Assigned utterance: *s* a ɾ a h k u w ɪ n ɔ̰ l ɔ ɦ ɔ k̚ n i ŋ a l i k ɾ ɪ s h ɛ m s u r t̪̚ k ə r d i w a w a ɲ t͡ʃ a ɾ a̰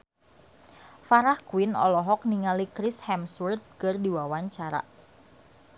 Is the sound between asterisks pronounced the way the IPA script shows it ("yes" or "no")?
no